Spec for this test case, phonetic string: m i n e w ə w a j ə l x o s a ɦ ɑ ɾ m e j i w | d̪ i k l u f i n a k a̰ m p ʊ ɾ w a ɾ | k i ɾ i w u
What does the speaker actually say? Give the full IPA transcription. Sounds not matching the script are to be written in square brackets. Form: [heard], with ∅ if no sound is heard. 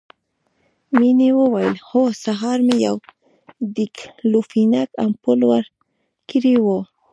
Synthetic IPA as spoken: m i n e w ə w a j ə l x o s a ɦ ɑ ɾ m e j [a] w | d̪ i k l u f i n a k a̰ m p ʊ [l] w a ɾ | k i ɾ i w [o]